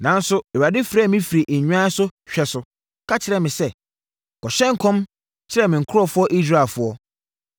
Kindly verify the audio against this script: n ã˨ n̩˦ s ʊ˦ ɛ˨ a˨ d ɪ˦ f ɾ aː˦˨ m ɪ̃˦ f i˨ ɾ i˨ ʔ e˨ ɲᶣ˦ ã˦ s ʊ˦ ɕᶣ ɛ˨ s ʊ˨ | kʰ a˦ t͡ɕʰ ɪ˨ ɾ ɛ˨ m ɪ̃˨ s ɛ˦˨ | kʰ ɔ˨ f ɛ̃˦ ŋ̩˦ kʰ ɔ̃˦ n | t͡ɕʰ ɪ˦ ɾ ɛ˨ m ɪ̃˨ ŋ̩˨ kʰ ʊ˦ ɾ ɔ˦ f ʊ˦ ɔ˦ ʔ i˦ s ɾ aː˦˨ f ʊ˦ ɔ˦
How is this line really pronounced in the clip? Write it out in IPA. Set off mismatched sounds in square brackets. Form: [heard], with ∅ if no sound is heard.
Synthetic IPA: n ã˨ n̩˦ s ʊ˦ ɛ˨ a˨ d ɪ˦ f ɾ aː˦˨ m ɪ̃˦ f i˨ ɾ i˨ ʔ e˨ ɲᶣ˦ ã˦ s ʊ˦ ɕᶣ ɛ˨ s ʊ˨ | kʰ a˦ t͡ɕʰ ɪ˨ ɾ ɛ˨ m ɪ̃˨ s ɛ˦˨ | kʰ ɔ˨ [ɕ] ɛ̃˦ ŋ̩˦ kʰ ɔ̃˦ [m] | t͡ɕʰ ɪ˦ ɾ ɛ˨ m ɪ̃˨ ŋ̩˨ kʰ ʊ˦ ɾ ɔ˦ f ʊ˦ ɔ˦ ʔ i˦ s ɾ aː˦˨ f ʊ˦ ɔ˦